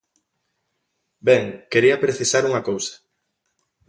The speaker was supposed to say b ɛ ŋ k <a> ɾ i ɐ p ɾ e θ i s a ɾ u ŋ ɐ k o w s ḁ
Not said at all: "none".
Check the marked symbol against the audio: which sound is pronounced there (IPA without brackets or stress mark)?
e